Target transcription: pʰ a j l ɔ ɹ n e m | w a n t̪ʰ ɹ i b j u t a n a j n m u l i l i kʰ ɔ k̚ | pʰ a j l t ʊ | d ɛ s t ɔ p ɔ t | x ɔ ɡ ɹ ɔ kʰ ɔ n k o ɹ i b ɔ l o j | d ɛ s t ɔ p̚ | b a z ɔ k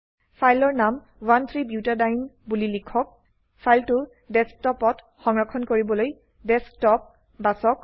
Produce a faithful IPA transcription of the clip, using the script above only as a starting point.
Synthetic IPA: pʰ a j l ɔ ɹ n a m | w a n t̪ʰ ɹ i b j u t a d a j n b u l i l i kʰ ɔ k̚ | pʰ a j l t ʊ | d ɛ s t ɔ p ɔ t | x ɔ ŋ ɹ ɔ kʰ ɔ n k o ɹ i b ɔ l o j | d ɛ s t ɔ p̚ | b a s ɔ k